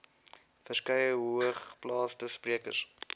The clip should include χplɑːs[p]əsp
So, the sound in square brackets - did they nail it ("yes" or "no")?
no